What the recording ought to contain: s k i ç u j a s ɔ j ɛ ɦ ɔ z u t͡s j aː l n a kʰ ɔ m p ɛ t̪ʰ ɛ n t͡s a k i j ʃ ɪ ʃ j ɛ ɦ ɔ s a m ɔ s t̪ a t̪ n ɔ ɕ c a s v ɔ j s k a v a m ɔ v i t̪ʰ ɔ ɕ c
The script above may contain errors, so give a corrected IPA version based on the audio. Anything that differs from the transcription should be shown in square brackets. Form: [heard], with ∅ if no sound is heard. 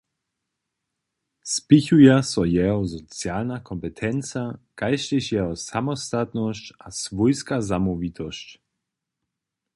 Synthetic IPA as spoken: s [p] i ç u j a s ɔ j ɛ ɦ ɔ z [ɔ] t͡s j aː l n a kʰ ɔ m p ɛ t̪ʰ ɛ n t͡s a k [a] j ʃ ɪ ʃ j ɛ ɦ ɔ s a m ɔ s t̪ a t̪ n ɔ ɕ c a s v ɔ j s k a [z] a m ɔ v i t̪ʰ ɔ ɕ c